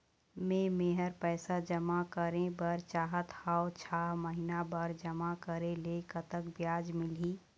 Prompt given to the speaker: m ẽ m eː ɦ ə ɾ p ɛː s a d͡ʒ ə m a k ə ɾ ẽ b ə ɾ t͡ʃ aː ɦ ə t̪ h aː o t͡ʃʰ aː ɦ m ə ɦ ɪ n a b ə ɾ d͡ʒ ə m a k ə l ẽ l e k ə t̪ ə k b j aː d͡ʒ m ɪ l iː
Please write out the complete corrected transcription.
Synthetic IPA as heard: m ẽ m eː ɦ ə ɾ p ɛː s a d͡ʒ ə m a k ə ɾ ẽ b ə ɾ t͡ʃ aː ɦ ə t̪ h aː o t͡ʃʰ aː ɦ m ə ɦ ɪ n a b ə ɾ d͡ʒ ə m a k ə ɾ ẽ l e k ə t̪ ə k b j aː d͡ʒ m ɪ l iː